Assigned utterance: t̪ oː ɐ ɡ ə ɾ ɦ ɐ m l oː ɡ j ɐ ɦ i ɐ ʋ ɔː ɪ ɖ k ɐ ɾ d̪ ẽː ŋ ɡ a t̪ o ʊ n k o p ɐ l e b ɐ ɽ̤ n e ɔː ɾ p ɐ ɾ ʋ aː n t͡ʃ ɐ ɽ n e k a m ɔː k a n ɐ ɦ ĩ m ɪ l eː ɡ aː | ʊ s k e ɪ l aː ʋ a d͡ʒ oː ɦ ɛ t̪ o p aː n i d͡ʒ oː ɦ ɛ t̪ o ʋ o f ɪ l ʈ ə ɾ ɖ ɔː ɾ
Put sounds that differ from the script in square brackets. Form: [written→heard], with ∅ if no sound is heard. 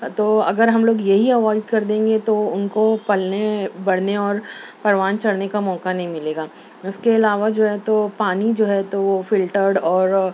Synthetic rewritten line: t̪ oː ɐ ɡ ə ɾ ɦ ɐ m l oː ɡ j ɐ ɦ i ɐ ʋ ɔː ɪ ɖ k ɐ ɾ d̪ ẽː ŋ ɡ [a→e] t̪ o ʊ n k o p ɐ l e b ɐ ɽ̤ n e ɔː ɾ p ɐ ɾ ʋ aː n t͡ʃ ɐ ɽ n e k a m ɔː k a n ɐ ɦ ĩ m ɪ l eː ɡ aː | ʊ s k e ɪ l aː ʋ a d͡ʒ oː ɦ ɛ t̪ o p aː n i d͡ʒ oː ɦ ɛ t̪ o ʋ o f ɪ l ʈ ə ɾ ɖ ɔː ɾ